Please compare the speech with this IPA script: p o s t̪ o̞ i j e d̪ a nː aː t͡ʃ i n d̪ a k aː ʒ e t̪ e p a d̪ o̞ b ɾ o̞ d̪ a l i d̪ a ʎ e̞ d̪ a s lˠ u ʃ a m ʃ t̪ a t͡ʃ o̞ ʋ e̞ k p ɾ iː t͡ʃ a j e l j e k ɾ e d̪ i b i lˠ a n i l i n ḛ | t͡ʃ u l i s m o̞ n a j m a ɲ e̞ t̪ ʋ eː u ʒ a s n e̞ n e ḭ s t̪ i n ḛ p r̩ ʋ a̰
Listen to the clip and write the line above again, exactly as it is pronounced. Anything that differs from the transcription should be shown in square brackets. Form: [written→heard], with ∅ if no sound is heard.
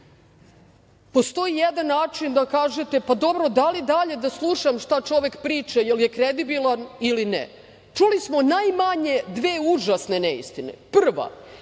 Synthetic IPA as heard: p o s t̪ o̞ i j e d̪ a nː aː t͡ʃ i n d̪ a k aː ʒ e t̪ e p a d̪ o̞ b ɾ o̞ d̪ a l i d̪ a ʎ e̞ d̪ a s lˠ u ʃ a m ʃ t̪ a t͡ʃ o̞ ʋ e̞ k p ɾ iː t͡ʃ a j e l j e k ɾ e d̪ i b i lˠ a n i l i n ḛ | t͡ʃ u l i s m o̞ n a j m a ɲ e̞ [t̪→d̪] ʋ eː u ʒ a s n e̞ n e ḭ s t̪ i n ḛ p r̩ ʋ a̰